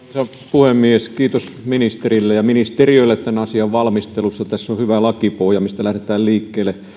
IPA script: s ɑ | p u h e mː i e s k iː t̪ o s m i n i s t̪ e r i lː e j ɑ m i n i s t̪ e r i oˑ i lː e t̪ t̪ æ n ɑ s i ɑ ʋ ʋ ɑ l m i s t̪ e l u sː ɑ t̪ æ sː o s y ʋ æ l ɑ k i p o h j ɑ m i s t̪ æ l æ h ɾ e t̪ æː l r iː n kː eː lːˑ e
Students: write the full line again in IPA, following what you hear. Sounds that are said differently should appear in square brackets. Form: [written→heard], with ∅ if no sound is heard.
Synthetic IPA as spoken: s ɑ | p u h e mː i e s k iː t̪ o s m i n i s t̪ e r i lː e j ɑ m i n i s t̪ e r i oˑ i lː e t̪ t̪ æ n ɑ s i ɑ ʋ ʋ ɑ l m i s t̪ e l u sː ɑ t̪ æ sː o [s→h] y ʋ æ l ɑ k i p o h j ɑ m i s t̪ æ l æ h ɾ e t̪ æː l [r→l] iː [n→∅] kː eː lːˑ e